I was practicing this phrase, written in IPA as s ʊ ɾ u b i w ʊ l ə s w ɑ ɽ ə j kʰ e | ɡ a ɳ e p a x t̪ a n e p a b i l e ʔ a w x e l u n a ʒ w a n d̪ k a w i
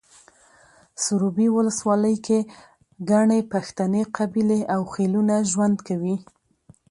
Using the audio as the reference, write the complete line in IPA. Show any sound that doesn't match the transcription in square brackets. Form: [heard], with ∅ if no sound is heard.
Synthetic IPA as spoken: s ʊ ɾ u b i w ʊ l ə s w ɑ [l] ə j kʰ e | ɡ a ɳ e p a x t̪ a n e [q] a b i l e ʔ a w x e l u n a ʒ w a n d̪ k a w i